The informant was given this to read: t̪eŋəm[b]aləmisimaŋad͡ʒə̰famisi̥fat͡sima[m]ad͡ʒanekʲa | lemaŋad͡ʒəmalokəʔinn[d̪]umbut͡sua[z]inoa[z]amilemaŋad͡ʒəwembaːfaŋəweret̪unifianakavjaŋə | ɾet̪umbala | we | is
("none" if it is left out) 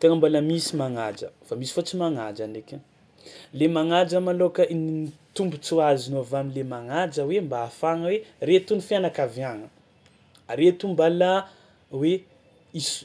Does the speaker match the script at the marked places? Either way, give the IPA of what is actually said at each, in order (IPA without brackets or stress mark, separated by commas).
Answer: b, ŋ, t̪, z, v